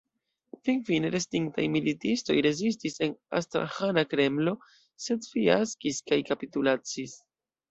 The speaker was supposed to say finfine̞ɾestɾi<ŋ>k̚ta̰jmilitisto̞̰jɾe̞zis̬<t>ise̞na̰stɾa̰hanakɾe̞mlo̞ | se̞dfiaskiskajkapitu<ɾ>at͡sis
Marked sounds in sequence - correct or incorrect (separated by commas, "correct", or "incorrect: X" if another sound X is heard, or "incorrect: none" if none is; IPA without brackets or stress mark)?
correct, correct, incorrect: l